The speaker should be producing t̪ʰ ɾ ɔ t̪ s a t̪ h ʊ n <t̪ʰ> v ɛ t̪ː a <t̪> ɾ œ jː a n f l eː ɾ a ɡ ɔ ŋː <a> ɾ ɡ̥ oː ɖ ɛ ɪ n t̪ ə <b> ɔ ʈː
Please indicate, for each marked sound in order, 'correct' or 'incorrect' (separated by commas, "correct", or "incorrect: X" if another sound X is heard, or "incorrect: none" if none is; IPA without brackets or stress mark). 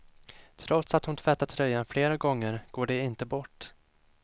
correct, incorrect: t̪ʰ, incorrect: ə, correct